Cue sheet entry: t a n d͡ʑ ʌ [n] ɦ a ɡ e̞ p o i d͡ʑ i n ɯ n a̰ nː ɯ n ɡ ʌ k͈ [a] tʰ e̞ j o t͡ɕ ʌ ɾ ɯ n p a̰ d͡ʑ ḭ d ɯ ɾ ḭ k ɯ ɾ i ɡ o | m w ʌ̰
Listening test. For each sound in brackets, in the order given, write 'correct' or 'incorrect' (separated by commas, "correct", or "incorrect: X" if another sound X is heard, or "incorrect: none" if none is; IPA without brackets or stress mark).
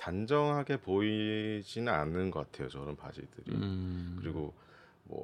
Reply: incorrect: ŋ, correct